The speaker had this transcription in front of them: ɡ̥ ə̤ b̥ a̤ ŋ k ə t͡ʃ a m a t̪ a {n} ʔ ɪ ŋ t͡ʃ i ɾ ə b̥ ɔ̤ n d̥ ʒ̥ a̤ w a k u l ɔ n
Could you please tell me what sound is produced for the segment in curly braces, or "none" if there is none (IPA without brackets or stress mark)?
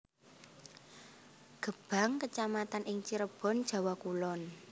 n